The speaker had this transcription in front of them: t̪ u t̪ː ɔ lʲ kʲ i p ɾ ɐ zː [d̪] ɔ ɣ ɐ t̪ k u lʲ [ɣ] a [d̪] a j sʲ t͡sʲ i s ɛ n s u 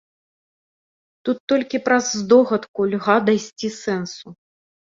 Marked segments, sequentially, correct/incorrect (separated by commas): correct, correct, correct